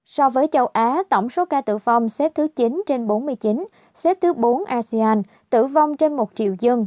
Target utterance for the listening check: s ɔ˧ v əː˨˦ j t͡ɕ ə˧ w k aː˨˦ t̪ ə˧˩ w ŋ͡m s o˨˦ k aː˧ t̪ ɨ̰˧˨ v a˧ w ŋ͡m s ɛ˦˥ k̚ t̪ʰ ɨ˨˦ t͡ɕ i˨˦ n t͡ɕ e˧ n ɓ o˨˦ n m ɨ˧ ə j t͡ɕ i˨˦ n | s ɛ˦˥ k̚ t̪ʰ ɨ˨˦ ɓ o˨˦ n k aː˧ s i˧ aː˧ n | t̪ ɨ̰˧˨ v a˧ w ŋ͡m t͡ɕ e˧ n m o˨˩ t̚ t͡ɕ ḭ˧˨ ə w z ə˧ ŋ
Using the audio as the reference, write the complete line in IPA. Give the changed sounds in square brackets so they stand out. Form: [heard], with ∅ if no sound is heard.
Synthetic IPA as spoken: s ɔ˧ v əː˨˦ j t͡ɕ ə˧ w [ʔ] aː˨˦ t̪ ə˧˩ w ŋ͡m s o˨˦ k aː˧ t̪ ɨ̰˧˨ v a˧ w ŋ͡m s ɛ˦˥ [p̚] t̪ʰ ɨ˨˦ t͡ɕ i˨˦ n t͡ɕ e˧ n ɓ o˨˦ n m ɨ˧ ə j t͡ɕ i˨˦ n | s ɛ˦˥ [p̚] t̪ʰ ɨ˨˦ ɓ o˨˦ n [ʔ] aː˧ s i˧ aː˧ n | t̪ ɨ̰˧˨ v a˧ w ŋ͡m t͡ɕ e˧ n m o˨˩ t̚ t͡ɕ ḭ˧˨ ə w z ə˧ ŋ